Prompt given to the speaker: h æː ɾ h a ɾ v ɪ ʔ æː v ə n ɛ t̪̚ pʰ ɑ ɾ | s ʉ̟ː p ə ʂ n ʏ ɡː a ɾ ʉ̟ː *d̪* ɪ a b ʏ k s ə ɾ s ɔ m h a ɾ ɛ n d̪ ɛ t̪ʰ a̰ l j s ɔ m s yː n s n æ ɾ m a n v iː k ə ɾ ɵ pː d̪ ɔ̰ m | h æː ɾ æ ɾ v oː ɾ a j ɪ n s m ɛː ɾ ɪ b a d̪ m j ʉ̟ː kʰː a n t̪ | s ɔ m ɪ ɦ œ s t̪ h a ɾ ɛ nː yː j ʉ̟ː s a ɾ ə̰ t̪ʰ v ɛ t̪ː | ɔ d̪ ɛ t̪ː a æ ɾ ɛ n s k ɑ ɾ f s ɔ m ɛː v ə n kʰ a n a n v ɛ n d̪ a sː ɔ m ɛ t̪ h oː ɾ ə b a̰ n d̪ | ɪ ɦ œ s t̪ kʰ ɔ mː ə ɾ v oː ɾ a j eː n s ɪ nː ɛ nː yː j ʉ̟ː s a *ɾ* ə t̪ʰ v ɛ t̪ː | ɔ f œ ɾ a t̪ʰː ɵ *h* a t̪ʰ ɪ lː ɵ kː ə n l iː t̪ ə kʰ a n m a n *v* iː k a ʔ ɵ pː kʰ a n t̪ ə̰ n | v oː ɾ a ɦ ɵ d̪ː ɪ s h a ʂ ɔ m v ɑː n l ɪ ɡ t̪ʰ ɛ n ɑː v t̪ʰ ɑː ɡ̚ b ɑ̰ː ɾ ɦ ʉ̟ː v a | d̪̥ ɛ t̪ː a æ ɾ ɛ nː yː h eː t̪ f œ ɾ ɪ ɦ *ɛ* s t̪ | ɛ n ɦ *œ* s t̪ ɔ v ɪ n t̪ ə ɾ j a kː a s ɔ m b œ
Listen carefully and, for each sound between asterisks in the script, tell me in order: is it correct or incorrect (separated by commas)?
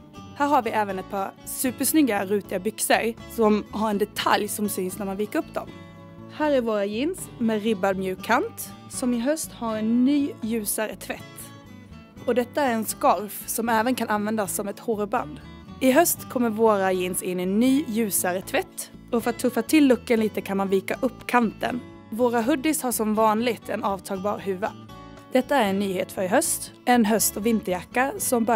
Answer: incorrect, correct, incorrect, correct, incorrect, correct